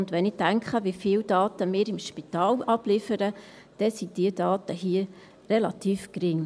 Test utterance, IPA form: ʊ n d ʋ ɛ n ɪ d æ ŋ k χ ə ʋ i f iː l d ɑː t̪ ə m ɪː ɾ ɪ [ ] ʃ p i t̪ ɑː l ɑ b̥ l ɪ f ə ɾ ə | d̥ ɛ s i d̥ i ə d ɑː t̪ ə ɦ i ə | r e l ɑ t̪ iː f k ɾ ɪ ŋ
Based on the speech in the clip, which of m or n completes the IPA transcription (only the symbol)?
m